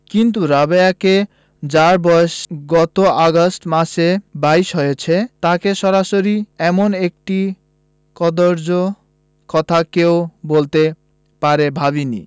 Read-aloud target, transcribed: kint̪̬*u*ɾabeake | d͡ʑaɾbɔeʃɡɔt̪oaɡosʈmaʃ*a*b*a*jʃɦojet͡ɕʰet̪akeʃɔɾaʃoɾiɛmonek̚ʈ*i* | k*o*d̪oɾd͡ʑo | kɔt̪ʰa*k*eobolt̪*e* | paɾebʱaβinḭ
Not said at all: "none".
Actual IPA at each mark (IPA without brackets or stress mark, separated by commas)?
u, e, a, i, ɔ, k, e